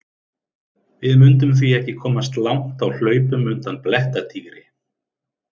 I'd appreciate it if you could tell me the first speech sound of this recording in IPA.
v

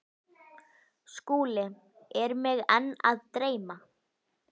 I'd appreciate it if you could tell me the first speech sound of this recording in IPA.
s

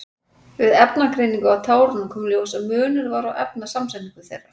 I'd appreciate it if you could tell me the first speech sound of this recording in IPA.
v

